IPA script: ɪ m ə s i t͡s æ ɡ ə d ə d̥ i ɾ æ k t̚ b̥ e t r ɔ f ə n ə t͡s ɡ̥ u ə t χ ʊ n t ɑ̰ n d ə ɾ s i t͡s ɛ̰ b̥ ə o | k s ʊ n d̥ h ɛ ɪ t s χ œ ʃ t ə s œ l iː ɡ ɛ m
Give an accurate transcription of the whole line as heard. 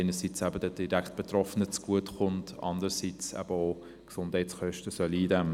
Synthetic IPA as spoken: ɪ n ə s i t͡s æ b ə d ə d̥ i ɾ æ k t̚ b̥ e t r ɔ f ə n ə t͡s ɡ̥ u ə t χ ʊ n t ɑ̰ n d ə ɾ s i t͡s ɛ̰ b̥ ə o | k s ʊ n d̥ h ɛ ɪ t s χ œ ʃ t ə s œ l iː d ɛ m